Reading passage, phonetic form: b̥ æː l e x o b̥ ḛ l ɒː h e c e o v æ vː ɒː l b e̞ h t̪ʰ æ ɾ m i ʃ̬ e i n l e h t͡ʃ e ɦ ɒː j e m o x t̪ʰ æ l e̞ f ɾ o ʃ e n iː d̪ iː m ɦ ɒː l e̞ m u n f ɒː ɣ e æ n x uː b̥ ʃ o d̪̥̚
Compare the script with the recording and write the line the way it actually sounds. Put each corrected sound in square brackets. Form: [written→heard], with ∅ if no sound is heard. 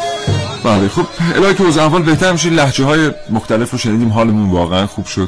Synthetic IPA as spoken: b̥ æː l e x o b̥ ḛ l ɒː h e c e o [v→z] æ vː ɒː l b e̞ h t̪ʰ æ ɾ m i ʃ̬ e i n l [e→æ] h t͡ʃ e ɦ ɒː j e m o x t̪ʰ æ l e̞ f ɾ o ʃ e n iː d̪ iː m ɦ ɒː l e̞ m u n [f→v] ɒː ɣ e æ n x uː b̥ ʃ o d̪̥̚